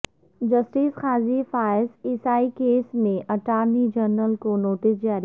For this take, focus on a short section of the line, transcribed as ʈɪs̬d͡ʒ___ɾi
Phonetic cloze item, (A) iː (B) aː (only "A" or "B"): B